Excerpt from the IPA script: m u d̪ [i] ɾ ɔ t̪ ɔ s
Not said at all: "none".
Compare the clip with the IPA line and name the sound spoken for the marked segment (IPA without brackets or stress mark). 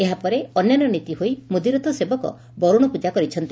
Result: i